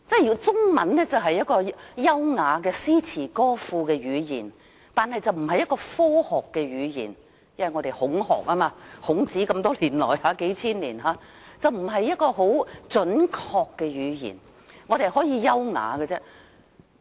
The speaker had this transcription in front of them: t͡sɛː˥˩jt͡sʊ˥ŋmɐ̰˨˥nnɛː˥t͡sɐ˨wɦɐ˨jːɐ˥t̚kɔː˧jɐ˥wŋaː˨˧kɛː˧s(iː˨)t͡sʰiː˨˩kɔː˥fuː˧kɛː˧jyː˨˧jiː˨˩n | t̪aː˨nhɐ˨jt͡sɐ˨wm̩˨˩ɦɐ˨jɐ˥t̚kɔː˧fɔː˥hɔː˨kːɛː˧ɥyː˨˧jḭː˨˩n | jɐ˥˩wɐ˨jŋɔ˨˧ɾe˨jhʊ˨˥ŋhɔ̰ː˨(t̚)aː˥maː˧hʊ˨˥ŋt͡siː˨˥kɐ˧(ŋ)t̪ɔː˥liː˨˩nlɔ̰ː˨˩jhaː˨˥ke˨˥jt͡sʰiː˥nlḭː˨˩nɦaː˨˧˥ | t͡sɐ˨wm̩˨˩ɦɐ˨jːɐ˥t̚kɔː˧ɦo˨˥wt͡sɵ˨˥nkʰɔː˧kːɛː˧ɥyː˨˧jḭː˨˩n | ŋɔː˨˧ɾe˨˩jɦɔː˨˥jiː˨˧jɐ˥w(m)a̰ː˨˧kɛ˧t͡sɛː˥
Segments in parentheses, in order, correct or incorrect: incorrect: iː˥, incorrect: k̚, incorrect: m, incorrect: ŋ

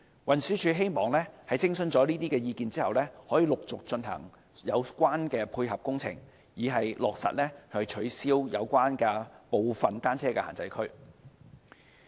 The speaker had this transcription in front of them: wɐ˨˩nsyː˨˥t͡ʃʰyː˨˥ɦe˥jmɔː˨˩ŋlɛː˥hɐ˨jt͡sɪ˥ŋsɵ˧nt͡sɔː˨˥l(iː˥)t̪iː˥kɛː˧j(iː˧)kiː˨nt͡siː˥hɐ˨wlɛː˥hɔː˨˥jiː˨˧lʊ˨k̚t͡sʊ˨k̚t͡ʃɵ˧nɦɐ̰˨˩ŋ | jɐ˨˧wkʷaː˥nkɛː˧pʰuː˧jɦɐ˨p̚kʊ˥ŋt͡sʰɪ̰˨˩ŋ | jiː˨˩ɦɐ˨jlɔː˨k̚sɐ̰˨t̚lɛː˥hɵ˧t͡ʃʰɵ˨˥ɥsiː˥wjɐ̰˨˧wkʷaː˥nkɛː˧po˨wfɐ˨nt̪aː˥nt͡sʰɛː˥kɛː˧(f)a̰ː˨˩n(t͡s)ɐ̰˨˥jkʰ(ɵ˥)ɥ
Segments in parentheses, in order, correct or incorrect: correct, correct, incorrect: h, correct, correct

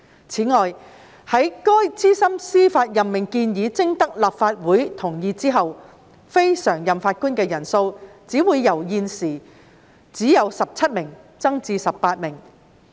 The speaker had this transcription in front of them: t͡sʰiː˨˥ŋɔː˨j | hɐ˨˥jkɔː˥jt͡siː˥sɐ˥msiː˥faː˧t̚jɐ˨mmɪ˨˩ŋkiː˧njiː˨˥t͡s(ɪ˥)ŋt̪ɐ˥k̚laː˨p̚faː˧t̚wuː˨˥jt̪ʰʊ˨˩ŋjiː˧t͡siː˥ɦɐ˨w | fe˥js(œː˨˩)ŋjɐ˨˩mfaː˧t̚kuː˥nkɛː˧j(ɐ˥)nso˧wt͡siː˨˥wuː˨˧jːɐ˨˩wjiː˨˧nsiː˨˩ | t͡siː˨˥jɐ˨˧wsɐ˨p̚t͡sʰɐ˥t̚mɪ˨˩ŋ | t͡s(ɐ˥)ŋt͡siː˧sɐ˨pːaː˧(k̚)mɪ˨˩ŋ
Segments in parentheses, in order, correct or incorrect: correct, correct, incorrect: ɐ˨˩, correct, incorrect: t̚

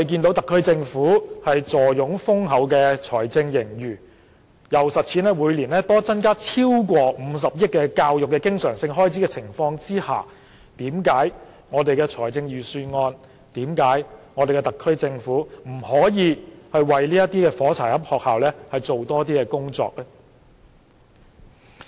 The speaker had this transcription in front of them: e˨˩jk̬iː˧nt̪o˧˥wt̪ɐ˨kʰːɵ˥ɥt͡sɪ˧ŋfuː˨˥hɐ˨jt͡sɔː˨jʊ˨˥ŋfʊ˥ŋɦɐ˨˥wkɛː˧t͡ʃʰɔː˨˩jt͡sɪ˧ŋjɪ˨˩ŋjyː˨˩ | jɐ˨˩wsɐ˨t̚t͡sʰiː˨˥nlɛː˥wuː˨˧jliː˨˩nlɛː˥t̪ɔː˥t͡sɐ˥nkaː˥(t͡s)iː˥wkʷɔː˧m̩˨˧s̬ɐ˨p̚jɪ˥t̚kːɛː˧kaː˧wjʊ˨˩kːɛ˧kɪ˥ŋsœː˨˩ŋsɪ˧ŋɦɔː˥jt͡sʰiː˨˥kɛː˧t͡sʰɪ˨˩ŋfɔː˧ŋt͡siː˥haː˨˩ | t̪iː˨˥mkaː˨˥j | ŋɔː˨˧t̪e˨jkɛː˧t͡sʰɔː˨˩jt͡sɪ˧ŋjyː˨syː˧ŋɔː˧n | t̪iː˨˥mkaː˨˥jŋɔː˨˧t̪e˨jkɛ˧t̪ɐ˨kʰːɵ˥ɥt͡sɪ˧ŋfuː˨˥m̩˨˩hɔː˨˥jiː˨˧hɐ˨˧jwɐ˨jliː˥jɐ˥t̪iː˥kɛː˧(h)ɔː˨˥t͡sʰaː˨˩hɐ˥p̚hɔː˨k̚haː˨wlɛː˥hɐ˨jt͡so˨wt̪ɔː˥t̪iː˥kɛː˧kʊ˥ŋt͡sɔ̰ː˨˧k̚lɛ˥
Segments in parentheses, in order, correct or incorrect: incorrect: t͡sʰ, incorrect: f

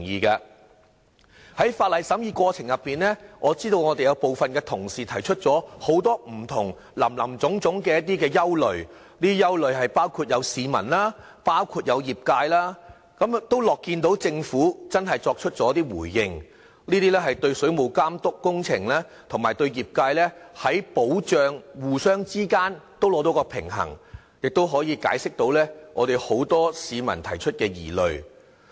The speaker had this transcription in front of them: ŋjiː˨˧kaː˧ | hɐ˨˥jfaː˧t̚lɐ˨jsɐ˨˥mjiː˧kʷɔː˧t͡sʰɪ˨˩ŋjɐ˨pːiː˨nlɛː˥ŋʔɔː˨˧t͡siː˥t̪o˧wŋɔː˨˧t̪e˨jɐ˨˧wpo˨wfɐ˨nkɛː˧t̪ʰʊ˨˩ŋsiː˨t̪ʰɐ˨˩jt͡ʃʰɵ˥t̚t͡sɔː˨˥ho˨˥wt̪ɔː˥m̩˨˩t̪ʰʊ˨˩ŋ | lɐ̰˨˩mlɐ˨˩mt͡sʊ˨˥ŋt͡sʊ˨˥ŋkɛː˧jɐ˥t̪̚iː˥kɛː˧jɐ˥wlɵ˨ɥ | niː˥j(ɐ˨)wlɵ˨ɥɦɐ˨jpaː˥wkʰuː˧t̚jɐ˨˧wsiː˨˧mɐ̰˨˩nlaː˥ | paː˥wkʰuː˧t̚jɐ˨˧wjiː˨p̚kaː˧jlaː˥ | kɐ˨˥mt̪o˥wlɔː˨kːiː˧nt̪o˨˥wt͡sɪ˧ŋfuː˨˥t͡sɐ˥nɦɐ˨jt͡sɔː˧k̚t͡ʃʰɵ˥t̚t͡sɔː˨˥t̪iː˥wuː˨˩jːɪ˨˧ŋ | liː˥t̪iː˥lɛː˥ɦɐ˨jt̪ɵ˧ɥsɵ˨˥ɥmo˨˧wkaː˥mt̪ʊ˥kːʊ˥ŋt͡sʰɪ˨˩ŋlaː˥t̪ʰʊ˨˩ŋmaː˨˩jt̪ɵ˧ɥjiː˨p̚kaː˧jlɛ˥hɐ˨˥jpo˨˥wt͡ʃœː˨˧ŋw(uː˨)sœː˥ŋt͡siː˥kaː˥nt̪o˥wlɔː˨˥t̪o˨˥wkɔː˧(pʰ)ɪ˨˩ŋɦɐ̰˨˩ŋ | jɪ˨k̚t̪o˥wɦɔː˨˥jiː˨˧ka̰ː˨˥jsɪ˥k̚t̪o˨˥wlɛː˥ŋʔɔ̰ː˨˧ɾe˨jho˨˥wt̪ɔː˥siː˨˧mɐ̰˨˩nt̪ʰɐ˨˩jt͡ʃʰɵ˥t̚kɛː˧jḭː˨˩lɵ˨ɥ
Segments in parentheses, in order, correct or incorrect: incorrect: ɐ˥, correct, correct

